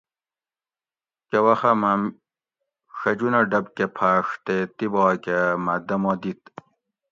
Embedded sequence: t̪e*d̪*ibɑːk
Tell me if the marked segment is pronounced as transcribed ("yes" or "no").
no